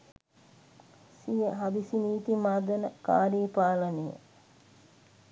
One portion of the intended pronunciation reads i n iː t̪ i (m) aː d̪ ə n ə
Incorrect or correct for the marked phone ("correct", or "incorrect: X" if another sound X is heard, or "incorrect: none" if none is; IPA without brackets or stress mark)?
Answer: correct